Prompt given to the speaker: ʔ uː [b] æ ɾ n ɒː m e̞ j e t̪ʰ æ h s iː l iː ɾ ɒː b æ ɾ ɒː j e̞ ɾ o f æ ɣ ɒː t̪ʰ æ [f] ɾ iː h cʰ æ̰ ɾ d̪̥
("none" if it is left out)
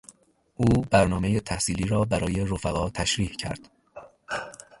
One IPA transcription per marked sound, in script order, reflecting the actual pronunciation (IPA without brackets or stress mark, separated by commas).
b, ʃ